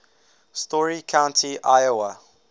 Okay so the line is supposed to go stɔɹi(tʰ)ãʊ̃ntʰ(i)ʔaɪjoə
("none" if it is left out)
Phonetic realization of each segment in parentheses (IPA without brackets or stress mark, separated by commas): kʰ, i